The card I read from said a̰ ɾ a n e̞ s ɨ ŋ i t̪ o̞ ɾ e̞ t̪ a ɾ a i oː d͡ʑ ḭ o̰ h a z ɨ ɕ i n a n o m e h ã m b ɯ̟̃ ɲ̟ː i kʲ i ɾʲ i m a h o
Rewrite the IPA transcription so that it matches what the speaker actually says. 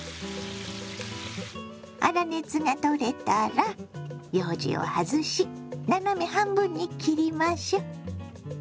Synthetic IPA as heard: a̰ ɾ a n e̞ t͡s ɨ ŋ a t̪ o̞ ɾ e̞ t̪ a ɾ a j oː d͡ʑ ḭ o̰ h a z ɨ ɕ i n a n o m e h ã m b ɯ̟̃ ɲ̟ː i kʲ i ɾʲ i m a ɕ o